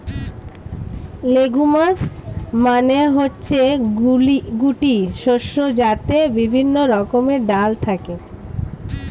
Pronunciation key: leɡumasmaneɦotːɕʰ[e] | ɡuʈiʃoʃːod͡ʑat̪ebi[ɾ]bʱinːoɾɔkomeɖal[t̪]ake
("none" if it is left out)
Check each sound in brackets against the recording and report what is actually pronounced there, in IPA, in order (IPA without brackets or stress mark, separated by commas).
e, none, t̪ʰ